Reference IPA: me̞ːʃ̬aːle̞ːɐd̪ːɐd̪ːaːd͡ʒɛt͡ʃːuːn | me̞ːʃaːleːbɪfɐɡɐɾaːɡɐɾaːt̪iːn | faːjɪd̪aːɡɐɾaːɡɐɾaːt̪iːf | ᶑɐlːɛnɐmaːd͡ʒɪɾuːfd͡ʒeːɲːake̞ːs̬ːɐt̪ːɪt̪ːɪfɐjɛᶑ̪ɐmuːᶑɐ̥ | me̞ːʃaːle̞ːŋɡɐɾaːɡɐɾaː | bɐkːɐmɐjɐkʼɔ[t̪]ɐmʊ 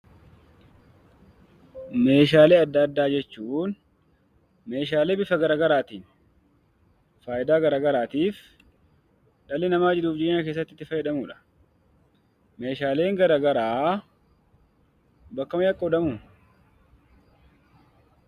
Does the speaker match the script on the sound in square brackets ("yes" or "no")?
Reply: no